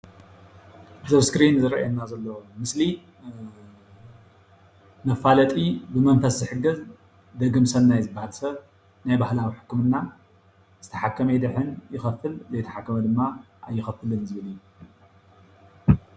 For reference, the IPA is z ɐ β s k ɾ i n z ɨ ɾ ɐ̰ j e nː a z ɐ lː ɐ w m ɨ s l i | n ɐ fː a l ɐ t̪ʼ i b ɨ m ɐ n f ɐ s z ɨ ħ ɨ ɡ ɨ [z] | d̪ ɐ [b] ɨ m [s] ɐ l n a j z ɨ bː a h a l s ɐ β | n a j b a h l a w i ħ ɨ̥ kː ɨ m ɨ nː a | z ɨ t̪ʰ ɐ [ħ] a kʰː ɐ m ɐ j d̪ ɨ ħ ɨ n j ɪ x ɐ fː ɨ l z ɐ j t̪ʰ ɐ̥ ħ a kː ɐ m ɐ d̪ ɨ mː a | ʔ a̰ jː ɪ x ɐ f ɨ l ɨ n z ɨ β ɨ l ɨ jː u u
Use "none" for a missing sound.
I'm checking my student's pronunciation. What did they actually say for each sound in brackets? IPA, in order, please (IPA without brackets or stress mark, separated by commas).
z, ɡ, s, ħ